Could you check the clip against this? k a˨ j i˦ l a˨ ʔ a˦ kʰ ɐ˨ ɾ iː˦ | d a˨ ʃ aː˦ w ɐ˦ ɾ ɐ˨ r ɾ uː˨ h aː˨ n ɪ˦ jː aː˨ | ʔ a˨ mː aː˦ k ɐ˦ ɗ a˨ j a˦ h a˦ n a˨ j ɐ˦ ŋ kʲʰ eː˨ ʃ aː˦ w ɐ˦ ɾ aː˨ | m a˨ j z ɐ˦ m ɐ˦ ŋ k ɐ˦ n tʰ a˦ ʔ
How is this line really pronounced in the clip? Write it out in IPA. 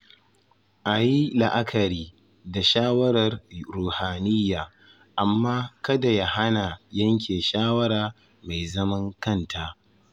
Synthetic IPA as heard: ʔ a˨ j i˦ l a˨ ʔ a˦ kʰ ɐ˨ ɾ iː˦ | d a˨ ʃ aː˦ w ɐ˦ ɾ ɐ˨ r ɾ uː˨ h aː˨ n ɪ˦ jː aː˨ | ʔ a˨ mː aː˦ k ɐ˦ d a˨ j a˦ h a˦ n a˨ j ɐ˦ ŋ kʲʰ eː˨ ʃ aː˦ w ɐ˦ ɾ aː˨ | m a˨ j z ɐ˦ m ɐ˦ ŋ k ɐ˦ n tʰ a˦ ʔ